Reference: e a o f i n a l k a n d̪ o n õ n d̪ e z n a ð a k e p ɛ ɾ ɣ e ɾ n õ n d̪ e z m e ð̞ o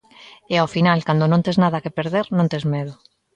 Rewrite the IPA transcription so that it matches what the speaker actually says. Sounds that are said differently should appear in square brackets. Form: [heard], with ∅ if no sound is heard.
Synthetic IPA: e a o f i n a l k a n d̪ o n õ n [t̪] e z n a ð a k e p [e] ɾ [ð] e ɾ n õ n [t̪] e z m e ð̞ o